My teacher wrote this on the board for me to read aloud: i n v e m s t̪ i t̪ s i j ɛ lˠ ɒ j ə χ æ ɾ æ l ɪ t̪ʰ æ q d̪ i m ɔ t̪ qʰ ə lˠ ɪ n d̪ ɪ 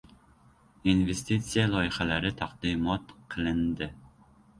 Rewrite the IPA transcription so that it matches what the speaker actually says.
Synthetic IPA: i n v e s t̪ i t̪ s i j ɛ lˠ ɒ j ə χ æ l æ ɾ ɪ t̪ʰ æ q d̪ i m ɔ t̪ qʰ ə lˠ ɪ n d̪ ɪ